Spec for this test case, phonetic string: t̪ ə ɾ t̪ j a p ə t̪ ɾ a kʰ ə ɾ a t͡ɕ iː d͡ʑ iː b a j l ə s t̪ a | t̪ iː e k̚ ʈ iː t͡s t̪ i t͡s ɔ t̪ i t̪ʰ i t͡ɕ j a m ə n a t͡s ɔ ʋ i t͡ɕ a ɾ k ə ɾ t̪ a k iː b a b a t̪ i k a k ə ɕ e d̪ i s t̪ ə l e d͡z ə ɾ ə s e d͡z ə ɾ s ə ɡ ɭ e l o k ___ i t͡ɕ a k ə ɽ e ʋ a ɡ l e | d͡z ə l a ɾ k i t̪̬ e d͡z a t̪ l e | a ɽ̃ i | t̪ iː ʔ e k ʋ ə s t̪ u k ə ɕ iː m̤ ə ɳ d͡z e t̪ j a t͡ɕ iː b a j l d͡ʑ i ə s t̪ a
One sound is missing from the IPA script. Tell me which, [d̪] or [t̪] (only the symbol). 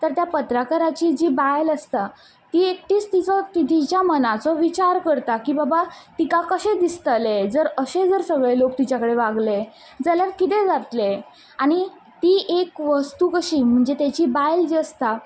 t̪